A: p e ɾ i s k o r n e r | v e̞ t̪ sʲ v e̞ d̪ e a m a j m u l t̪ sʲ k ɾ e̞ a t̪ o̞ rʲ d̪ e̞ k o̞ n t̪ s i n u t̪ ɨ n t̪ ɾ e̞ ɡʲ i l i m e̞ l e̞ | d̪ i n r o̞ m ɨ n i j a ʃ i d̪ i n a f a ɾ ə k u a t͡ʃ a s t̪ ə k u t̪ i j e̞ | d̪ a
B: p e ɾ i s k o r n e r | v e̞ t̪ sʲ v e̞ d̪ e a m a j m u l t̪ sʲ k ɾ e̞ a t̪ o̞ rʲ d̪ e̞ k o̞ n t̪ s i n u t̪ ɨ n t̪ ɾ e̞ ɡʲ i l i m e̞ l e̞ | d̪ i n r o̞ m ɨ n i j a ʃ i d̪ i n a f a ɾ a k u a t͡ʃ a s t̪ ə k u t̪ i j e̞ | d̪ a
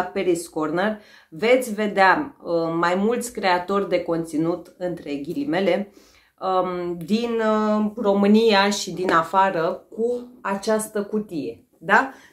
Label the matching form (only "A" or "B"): A